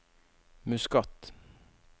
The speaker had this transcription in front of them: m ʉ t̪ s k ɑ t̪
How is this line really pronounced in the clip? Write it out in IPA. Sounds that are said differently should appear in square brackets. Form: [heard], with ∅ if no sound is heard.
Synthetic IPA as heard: m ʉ [∅] s k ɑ t̪

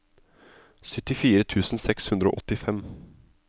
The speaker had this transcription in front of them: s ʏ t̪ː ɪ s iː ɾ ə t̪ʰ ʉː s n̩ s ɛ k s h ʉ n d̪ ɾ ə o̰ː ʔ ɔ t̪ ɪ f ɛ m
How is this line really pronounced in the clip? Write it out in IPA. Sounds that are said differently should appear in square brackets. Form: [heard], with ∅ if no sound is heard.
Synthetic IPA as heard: s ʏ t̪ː ɪ [f] iː ɾ ə t̪ʰ ʉː s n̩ s ɛ k s h ʉ n d̪ ɾ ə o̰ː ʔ ɔ t̪ ɪ f ɛ m

